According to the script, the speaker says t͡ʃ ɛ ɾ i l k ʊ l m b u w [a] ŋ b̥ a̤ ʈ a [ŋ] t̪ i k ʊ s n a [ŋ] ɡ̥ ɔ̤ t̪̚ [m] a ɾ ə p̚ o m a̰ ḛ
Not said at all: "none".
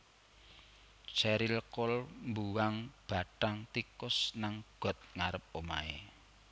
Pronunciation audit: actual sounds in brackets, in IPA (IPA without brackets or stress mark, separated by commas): a, ŋ, ŋ, ŋ